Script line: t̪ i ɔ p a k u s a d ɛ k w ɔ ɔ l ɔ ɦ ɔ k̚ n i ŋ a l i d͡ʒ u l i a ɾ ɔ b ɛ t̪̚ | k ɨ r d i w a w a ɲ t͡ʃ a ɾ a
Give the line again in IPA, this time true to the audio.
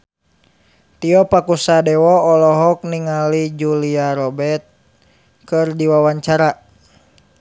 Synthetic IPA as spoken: t̪ i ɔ p a k u s a d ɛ w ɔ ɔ l ɔ ɦ ɔ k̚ n i ŋ a l i d͡ʒ u l i a ɾ ɔ b ɛ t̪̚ | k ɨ r d i w a w a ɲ t͡ʃ a ɾ a